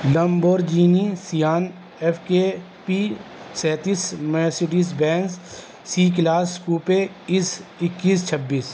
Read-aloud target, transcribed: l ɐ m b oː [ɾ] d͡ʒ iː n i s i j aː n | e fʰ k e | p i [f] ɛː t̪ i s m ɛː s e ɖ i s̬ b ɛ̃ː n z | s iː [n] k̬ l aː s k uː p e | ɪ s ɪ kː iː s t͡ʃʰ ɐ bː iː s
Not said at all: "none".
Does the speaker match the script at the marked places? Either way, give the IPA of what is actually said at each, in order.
ɾ, s, none

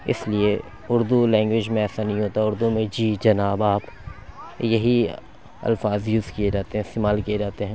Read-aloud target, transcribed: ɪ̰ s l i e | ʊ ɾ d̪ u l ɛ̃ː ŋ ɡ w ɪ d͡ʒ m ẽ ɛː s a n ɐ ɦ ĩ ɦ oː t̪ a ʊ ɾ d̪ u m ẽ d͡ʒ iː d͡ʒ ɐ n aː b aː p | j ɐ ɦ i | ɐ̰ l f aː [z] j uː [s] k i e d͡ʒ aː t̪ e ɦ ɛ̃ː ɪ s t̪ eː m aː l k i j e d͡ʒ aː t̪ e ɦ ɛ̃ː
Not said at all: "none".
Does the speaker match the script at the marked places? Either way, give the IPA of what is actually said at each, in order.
z, z

